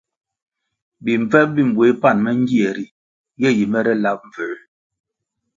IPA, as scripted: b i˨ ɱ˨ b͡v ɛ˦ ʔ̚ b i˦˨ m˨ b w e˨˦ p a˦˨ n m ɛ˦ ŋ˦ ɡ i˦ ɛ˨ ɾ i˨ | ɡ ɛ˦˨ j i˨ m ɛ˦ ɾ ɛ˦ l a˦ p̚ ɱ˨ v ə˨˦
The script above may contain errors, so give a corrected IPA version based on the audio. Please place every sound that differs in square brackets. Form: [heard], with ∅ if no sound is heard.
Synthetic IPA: b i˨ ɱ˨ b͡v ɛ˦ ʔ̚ b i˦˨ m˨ b w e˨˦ p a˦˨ n m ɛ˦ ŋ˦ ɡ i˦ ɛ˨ ɾ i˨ | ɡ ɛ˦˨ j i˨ m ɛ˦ ɾ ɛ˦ l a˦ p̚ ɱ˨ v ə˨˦